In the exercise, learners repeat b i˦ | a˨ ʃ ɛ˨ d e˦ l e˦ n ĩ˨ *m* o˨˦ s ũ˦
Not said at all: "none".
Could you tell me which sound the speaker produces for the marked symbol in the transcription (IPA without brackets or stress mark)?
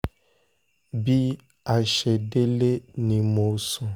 m